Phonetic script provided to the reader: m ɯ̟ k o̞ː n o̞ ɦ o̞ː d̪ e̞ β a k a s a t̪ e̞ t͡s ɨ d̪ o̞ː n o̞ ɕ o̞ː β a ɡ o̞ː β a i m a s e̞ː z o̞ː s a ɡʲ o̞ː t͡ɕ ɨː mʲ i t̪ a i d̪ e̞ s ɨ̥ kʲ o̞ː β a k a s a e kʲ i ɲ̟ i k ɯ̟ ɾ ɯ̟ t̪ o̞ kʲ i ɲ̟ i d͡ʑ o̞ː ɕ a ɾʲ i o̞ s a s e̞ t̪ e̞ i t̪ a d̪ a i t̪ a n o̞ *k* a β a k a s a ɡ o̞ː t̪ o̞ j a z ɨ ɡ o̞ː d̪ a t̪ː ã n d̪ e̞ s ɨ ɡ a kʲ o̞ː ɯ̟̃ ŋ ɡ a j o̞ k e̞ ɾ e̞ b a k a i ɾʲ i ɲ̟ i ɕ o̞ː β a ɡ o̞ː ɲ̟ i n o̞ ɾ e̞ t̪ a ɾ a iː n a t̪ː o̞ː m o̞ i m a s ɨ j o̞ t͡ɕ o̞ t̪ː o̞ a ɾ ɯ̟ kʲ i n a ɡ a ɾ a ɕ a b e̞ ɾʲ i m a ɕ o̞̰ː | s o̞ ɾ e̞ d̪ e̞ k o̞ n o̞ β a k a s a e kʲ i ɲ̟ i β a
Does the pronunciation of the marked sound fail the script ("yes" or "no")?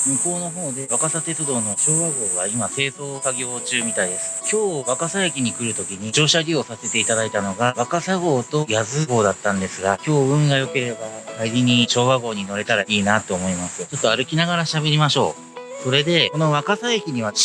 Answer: yes